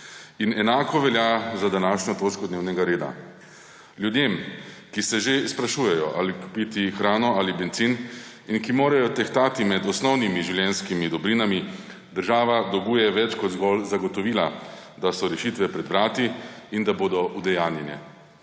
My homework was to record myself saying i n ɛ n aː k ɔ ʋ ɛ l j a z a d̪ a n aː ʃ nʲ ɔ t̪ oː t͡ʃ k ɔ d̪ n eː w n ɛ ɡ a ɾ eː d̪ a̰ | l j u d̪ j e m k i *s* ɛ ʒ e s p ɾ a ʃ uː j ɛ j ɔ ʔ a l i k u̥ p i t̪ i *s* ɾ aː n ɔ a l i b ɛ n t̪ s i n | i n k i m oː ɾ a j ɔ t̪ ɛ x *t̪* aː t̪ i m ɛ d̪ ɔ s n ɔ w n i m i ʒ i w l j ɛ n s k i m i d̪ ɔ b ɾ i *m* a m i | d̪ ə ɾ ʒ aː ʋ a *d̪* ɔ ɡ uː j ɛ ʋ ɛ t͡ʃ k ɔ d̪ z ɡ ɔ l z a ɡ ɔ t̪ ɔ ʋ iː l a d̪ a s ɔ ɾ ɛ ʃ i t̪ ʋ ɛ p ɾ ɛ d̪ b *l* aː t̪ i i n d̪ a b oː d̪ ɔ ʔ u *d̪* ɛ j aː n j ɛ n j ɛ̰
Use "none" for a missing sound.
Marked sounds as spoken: s, x, t̪, n, d̪, ɾ, d̪

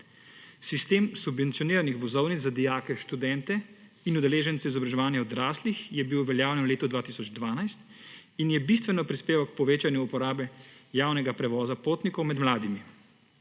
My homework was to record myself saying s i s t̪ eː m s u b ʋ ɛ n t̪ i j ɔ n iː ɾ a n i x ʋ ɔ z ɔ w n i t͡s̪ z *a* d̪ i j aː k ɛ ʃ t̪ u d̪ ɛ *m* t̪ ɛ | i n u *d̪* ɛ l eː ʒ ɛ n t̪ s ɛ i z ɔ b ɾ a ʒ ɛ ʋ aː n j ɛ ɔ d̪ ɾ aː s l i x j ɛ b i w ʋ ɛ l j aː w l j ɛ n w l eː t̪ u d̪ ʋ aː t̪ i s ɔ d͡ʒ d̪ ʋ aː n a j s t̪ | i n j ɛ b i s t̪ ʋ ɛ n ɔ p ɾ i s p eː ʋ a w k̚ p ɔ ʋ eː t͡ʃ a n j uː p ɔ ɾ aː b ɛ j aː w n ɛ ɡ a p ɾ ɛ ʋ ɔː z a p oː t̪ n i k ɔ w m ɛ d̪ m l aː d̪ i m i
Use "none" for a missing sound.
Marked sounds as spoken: a, n, d̪

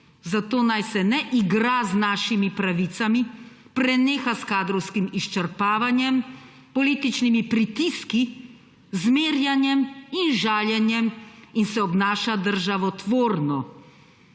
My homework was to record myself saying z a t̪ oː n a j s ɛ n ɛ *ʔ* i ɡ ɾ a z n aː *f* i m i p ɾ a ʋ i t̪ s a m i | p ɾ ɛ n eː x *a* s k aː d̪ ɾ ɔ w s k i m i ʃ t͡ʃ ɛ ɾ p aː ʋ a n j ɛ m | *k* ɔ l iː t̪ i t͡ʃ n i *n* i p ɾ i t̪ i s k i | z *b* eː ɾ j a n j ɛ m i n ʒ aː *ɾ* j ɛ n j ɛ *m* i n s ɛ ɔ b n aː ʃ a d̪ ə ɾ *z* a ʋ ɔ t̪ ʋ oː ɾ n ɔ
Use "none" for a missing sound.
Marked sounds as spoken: ʔ, ʃ, a, p, m, m, l, m, ʒ

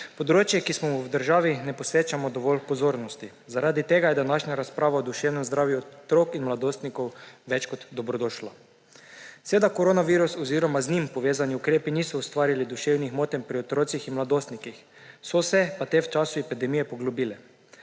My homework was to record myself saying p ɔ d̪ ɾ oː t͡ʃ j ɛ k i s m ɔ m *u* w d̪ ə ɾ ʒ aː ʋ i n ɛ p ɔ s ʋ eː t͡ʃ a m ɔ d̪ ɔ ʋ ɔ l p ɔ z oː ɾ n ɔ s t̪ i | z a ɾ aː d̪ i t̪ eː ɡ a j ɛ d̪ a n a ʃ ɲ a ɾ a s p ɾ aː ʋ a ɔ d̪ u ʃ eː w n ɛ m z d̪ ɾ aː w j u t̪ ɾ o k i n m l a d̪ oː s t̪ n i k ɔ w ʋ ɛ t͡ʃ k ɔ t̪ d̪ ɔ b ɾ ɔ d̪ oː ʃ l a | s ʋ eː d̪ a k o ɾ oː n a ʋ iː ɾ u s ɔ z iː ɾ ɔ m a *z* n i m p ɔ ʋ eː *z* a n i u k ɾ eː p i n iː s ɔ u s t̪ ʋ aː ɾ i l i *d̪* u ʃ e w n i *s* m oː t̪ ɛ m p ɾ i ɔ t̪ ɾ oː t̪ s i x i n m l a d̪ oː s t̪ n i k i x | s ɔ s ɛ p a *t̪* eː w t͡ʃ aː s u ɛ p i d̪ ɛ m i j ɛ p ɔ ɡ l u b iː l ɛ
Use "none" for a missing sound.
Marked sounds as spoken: u, z, z, d̪, x, t̪

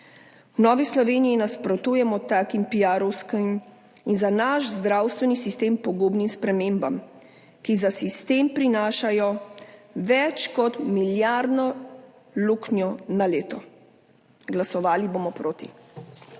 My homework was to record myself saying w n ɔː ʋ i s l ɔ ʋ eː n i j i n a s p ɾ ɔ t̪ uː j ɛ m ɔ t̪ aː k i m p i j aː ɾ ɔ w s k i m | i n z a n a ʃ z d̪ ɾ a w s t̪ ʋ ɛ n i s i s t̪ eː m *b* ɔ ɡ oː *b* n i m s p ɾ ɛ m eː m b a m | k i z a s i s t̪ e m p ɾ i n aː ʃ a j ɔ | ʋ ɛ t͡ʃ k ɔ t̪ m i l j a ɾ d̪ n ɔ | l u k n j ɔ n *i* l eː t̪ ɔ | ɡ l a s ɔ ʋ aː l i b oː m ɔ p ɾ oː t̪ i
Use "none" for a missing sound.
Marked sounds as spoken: p, b, a

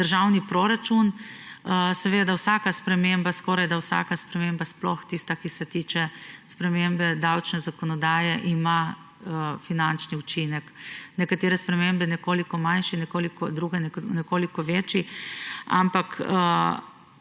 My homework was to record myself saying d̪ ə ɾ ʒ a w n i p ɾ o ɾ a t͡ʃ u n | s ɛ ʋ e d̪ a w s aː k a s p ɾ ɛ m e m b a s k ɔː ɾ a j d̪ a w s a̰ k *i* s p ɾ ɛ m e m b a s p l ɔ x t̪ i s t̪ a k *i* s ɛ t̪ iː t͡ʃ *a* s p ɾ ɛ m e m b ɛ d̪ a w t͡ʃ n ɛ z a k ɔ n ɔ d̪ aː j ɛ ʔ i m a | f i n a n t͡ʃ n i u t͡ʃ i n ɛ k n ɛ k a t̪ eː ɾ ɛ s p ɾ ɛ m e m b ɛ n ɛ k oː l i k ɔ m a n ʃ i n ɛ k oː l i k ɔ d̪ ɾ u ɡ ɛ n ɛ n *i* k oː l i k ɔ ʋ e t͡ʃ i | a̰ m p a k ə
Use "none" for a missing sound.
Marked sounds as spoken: a, i, ɛ, ɛ

